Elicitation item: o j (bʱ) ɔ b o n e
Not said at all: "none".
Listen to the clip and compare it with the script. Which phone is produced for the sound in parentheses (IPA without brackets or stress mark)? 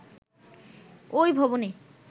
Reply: bʱ